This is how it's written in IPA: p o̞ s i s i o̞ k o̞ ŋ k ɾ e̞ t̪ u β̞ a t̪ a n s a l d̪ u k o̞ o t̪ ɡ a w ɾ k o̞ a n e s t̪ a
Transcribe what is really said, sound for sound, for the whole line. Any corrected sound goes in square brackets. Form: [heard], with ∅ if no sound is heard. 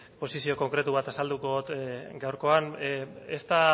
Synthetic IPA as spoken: p o̞ s i s i o̞ k o̞ ŋ k ɾ e̞ t̪ u β̞ a t̪ a [∅] s a l d̪ u k o̞ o t̪ ɡ a w ɾ k o̞ a n e s t̪ a